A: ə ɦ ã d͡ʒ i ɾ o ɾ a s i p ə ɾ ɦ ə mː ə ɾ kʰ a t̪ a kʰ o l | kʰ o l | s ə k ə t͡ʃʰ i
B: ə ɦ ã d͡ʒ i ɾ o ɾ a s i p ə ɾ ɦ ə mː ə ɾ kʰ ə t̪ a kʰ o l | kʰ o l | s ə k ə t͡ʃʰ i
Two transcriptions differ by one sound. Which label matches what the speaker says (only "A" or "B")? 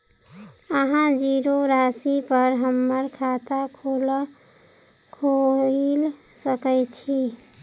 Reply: A